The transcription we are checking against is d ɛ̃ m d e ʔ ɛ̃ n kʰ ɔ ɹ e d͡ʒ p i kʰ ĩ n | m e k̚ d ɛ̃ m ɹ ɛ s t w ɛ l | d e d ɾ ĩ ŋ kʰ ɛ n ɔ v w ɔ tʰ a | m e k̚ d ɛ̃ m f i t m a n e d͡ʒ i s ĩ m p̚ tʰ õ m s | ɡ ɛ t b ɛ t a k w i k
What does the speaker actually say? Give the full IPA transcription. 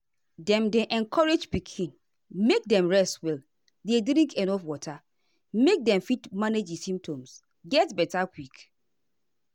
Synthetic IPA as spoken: d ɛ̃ m d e ʔ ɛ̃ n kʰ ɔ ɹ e d͡ʒ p i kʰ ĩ n | m e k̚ d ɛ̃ m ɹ ɛ s t w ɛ l | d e d ɾ ĩ ŋ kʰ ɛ n ɔ f w ɔ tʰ a | m e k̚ d ɛ̃ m f i t m a n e d͡ʒ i s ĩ m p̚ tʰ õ m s | ɡ ɛ t b ɛ t a k w i k

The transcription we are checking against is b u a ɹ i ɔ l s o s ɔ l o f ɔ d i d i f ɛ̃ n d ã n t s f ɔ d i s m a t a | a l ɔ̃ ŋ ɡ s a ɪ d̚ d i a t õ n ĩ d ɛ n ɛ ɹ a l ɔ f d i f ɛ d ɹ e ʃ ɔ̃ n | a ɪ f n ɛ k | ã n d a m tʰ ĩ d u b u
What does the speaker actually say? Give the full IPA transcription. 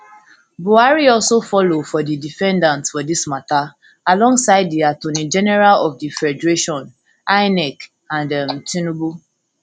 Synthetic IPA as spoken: b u a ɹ i ɔ l s o f ɔ l o f ɔ d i d i f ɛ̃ n d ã n t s f ɔ d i s m a t a | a l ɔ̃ ŋ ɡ s a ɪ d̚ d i a t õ n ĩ d͡ʒ ɛ n ɛ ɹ a l ɔ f d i f ɛ d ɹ e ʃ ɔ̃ n | a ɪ n ɛ k | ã n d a m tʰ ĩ n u b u

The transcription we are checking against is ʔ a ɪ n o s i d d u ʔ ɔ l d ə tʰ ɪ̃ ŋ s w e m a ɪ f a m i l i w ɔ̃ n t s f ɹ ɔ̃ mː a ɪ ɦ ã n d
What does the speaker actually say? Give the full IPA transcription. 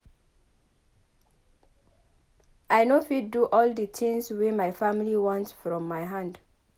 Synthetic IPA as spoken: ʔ a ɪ n o f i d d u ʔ ɔ l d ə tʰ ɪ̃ ŋ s w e m a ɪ f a m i l i w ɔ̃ n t s f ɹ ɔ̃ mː a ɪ ɦ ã n d

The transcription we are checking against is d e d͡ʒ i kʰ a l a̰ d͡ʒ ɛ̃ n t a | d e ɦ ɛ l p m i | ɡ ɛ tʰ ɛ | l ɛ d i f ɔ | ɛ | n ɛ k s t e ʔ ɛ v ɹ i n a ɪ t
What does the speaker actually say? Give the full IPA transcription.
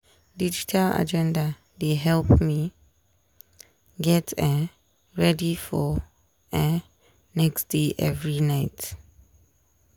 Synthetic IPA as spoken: d i d͡ʒ i tʰ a l a̰ d͡ʒ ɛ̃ n d a | d e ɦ ɛ l p m i | ɡ ɛ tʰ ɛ | ɹ ɛ d i f ɔ | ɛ | n ɛ k s d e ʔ ɛ v ɹ i n a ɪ t

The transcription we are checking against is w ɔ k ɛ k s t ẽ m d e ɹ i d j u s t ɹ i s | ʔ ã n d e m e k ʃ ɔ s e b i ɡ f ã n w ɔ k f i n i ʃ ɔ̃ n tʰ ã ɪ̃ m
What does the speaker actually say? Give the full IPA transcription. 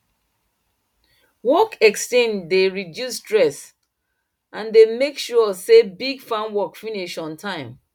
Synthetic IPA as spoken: w ɔ k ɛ k s t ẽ n d e ɹ i d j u s t ɹ ɛ s | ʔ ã n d e m e k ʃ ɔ s e b i ɡ f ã n w ɔ k f i n i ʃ ɔ̃ n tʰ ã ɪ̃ m

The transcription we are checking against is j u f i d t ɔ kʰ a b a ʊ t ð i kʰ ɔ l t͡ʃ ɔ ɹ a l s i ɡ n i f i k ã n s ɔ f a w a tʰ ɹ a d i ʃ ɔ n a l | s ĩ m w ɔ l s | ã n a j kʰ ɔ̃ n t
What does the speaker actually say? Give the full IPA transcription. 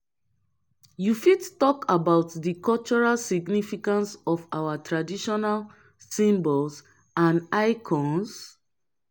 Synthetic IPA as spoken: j u f i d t ɔ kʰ a b a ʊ t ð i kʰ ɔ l t͡ʃ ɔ ɹ a l s i ɡ n i f i k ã n s ɔ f a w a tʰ ɹ a d i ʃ ɔ n a l | s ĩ m b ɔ l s | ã n a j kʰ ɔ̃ n s

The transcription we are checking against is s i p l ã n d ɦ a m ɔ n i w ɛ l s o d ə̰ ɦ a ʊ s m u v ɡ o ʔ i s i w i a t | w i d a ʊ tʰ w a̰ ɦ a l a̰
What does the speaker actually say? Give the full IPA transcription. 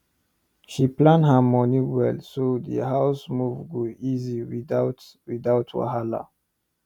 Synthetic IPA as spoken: ʃ i p l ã n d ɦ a m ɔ n i w ɛ l s o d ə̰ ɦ a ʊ s m u v ɡ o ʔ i z i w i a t | w i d a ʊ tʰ w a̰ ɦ a l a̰

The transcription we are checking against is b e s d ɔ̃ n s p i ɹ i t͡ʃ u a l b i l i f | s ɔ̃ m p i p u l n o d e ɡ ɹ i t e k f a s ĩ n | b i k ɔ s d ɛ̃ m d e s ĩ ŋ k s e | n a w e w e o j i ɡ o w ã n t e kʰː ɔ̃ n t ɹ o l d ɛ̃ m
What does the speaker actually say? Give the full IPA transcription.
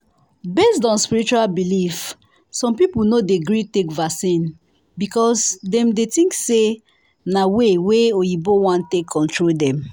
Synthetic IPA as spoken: b e s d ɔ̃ n s p i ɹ i t͡ʃ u a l b i l i f | s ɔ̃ m p i p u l n o d e ɡ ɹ i t e k v a s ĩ n | b i k ɔ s d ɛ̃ m d e t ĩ ŋ k s e | n a w e w e o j i b o w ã n t e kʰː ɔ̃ n t ɹ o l d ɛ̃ m

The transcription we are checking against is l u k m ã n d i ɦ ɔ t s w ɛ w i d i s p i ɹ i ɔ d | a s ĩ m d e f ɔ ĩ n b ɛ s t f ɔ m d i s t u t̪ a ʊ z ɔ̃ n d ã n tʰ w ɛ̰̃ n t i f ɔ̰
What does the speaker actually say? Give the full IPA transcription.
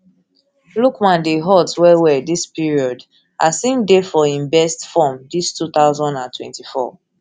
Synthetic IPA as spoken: l u k m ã n d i ɦ ɔ t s w ɛ w ɛ d i s p i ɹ i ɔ d | a s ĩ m d e f ɔ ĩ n b ɛ s t f ɔ m d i s t u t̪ a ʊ z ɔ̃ n d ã n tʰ w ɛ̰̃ n t i f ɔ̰

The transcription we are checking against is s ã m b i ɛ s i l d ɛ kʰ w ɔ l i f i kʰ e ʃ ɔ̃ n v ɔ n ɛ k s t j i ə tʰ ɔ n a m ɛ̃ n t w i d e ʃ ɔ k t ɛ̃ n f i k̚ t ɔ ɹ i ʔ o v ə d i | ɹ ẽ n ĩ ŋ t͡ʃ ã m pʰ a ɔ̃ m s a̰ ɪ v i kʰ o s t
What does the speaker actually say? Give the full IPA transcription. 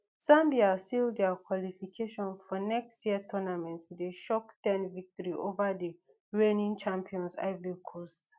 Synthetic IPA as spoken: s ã m b i a s i l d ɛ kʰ w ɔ l i f i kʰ e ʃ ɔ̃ n f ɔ n ɛ k s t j i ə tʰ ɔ n a m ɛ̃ n t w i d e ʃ ɔ k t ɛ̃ n v i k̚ t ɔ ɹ i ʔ o v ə d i | ɹ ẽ n ĩ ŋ t͡ʃ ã m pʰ i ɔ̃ n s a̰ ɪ v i kʰ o s t

